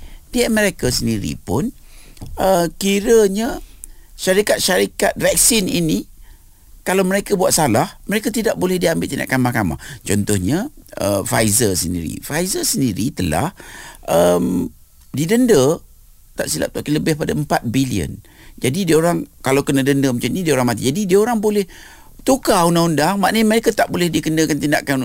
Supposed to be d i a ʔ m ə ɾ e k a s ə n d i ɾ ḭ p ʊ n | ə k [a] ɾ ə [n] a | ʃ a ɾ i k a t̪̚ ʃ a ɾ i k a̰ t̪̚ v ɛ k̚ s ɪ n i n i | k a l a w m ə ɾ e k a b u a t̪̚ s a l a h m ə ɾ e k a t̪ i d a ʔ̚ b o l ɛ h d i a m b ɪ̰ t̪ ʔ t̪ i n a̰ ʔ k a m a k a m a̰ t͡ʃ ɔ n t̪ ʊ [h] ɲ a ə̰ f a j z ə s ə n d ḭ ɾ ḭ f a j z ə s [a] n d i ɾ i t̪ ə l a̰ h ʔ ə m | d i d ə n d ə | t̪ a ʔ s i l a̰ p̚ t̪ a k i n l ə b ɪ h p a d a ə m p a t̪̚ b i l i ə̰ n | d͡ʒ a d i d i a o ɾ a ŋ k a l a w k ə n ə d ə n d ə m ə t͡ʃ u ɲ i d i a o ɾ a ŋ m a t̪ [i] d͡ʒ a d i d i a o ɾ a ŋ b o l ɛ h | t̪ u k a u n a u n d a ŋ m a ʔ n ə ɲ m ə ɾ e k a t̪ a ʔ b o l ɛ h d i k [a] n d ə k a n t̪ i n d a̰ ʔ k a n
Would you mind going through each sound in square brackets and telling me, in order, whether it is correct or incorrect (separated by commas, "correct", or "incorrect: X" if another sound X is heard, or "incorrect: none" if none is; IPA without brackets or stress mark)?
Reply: incorrect: i, incorrect: ɲ, correct, incorrect: ə, correct, incorrect: ə